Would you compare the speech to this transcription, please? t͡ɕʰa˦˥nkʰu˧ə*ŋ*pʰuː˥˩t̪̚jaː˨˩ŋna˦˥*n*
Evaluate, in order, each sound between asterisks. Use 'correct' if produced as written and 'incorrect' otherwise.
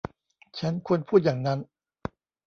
incorrect, correct

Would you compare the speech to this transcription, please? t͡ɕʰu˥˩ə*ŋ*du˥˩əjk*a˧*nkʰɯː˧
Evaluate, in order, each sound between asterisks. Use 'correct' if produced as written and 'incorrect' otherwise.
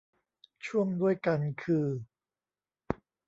correct, correct

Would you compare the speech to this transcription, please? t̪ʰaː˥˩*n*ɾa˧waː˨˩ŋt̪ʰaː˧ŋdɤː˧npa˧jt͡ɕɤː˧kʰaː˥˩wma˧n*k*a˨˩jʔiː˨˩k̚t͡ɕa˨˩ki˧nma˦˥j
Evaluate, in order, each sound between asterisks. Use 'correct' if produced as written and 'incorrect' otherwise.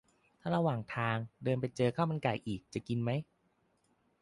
incorrect, correct

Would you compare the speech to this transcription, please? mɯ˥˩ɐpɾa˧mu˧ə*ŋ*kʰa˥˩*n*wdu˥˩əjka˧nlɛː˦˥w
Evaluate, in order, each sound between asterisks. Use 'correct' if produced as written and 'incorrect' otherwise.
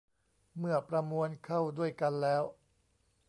incorrect, incorrect

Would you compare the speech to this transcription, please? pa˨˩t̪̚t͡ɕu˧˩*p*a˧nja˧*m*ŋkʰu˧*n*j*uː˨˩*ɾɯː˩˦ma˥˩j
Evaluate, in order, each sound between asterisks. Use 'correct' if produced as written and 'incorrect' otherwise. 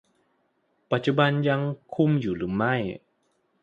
incorrect, incorrect, incorrect, correct

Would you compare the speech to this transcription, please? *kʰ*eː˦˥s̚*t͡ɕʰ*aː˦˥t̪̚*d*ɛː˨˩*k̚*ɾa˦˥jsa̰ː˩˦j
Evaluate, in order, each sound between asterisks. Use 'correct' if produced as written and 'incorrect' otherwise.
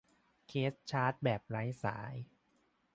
correct, correct, incorrect, incorrect

